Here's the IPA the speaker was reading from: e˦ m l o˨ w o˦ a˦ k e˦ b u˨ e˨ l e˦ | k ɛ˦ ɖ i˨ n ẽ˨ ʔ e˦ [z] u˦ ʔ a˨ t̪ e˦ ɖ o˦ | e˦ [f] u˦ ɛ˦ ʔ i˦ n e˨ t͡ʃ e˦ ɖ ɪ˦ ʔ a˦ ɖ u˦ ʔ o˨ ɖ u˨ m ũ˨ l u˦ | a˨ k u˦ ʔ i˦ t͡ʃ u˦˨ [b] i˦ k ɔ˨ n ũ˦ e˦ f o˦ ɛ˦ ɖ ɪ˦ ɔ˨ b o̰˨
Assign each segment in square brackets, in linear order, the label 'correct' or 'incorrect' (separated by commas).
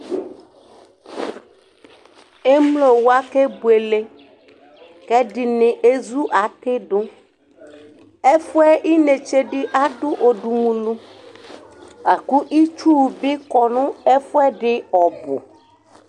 correct, correct, correct